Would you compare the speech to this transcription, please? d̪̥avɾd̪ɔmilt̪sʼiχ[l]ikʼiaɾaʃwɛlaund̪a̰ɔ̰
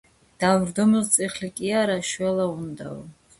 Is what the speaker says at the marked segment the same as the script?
yes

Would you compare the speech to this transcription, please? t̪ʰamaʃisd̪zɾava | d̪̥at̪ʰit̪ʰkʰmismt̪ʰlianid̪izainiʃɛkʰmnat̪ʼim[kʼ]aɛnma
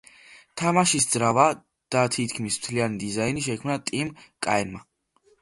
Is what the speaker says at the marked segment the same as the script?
yes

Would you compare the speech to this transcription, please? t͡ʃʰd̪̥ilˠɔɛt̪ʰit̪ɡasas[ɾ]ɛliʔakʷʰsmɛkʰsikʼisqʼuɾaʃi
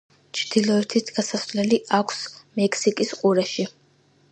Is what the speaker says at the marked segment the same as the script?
no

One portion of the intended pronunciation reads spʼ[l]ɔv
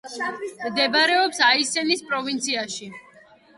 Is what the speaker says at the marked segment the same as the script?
no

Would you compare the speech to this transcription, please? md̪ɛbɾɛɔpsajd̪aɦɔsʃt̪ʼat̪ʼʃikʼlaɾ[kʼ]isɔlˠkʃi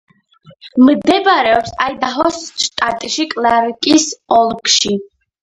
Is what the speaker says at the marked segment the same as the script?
yes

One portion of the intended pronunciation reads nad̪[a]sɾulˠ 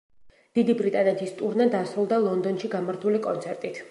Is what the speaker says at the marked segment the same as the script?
yes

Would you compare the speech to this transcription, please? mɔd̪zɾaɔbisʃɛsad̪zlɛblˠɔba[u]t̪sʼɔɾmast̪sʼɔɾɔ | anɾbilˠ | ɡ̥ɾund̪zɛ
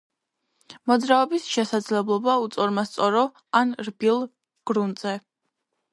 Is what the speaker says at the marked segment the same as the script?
yes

